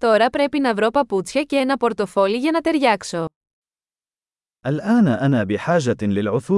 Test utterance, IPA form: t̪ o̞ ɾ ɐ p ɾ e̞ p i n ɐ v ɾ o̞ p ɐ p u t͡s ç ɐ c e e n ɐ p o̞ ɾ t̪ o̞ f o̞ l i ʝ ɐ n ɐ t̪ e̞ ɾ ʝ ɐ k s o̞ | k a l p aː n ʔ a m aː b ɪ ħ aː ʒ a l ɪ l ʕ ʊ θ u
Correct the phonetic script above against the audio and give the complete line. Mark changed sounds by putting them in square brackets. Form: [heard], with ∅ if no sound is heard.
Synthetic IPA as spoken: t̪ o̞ ɾ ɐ p ɾ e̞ p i n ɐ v ɾ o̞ p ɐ p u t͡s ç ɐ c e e n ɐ p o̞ ɾ t̪ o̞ f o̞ l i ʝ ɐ n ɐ t̪ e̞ ɾ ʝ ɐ k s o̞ | [ʔ] a l [ʔ] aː n ʔ a [n] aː b ɪ ħ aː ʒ a l ɪ l ʕ ʊ θ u